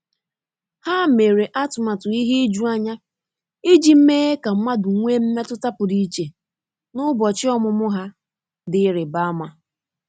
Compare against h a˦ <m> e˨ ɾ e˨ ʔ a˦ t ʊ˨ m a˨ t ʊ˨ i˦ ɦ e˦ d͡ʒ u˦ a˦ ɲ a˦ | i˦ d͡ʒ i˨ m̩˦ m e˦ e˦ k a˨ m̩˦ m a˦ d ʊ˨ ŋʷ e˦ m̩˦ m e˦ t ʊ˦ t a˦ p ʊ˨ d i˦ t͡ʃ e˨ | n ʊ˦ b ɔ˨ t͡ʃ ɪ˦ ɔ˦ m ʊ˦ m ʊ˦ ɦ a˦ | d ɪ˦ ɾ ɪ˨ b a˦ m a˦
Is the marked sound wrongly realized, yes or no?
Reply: no